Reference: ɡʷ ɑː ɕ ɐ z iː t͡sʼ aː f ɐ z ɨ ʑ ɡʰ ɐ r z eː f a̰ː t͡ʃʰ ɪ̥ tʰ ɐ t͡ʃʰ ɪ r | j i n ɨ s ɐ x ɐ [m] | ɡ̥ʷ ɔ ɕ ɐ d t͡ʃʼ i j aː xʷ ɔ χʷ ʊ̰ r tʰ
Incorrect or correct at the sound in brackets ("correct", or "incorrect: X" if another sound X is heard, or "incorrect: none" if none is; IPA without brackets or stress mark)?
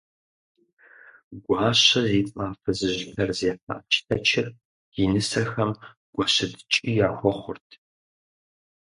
correct